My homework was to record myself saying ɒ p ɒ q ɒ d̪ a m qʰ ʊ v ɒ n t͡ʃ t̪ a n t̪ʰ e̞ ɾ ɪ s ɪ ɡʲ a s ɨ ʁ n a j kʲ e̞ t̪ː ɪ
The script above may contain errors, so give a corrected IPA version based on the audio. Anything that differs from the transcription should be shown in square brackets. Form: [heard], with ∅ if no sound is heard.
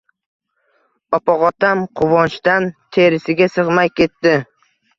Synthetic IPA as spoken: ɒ p ɒ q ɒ [t̪] a m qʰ ʊ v ɒ n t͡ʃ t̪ a n t̪ʰ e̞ ɾ ɪ s ɪ ɡʲ a s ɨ ʁ [m] a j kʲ e̞ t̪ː ɪ

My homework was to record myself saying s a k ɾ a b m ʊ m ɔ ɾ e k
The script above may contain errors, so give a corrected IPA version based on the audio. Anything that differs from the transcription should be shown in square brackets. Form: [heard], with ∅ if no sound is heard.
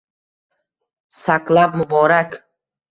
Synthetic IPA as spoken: s a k [l] a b m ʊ [b] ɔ ɾ [a] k

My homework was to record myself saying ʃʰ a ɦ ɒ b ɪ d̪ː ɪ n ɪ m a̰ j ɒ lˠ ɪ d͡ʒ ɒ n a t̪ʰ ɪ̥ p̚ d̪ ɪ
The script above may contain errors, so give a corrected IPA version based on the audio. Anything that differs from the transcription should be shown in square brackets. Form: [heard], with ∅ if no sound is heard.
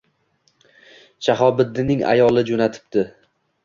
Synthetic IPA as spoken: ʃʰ a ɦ ɒ b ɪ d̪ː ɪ n ɪ [ŋ] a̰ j ɒ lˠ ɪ d͡ʒ [o] n a t̪ʰ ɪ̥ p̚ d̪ ɪ

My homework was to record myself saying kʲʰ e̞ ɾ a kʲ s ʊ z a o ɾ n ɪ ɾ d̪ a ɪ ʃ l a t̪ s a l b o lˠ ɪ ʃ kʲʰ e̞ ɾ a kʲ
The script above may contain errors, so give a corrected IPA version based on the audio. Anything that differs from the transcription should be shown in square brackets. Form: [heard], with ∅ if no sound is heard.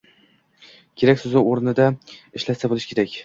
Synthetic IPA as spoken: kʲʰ e̞ ɾ a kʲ s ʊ z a o ɾ n ɪ [∅] d̪ a ɪ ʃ l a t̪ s a [∅] b o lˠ ɪ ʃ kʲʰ e̞ ɾ a kʲ

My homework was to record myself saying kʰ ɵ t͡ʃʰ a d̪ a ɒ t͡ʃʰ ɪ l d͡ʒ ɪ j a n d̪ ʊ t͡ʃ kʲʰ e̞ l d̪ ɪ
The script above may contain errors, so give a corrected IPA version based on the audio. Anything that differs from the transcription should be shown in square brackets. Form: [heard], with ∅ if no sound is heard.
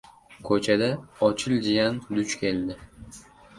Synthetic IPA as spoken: kʰ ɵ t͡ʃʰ a d̪ a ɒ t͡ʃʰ ɪ l d͡ʒ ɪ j a n d̪ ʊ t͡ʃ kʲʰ e̞ l d̪ ɪ

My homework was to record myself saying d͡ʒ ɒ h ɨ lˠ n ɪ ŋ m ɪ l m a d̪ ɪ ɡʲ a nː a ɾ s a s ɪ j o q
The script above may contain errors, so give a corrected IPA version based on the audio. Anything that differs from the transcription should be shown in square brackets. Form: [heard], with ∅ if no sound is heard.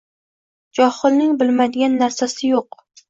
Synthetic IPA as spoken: d͡ʒ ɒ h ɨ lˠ n ɪ ŋ [b] ɪ l m a d̪ ɪ ɡʲ a nː a ɾ s a s ɪ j o q

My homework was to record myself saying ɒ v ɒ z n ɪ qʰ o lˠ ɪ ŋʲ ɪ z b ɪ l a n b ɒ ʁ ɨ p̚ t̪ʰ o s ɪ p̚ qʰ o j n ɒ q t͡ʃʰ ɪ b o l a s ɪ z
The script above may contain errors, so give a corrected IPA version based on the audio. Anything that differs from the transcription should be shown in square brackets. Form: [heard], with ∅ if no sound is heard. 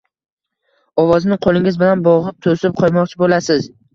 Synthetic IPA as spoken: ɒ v ɒ z n ɪ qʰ o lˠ ɪ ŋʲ ɪ z b ɪ l a n b ɒ ʁ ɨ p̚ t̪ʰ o s ɪ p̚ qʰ [ɒ] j [m] ɒ q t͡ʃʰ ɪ b o l a s ɪ z

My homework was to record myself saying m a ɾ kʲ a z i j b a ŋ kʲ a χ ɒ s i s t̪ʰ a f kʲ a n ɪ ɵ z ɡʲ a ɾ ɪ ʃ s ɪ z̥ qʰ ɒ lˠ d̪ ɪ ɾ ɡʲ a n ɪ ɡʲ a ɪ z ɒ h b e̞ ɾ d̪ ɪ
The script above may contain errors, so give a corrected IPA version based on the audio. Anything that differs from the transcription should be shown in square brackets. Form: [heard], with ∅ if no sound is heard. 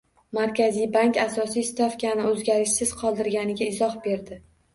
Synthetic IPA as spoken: m a ɾ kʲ a z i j b a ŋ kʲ a [s] ɒ s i s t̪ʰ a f kʲ a n ɪ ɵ z ɡʲ a ɾ ɪ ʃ s ɪ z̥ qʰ ɒ lˠ d̪ ɪ ɾ ɡʲ a n ɪ ɡʲ a ɪ z ɒ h b e̞ ɾ d̪ ɪ

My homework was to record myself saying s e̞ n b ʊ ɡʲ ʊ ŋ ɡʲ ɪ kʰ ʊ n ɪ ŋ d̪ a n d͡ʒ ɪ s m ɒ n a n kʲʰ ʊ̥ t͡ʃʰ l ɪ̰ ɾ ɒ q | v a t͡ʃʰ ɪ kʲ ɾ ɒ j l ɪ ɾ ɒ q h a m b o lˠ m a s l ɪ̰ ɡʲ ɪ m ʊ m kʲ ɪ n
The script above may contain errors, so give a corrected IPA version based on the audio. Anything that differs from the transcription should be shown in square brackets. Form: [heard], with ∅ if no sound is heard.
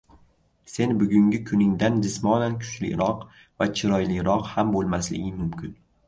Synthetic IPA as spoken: s e̞ n b ʊ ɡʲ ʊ ŋ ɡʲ ɪ kʰ ʊ n ɪ ŋ d̪ a n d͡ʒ ɪ s m ɒ n a n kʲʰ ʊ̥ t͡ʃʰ l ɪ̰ ɾ ɒ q | v a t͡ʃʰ ɪ [∅] ɾ ɒ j l ɪ ɾ ɒ q h a m b o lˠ m a s l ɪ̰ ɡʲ ɪ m ʊ m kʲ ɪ n

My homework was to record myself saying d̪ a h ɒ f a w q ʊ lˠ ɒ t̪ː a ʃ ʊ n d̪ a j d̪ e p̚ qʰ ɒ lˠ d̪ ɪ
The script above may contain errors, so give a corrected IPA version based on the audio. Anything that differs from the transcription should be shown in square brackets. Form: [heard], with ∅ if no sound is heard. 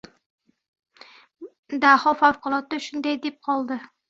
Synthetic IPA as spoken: d̪ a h ɒ f a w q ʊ lˠ ɒ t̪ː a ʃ ʊ n d̪ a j d̪ e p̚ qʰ ɒ lˠ d̪ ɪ

